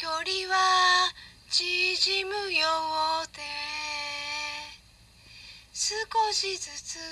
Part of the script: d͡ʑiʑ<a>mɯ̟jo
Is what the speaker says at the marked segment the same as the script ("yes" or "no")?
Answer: no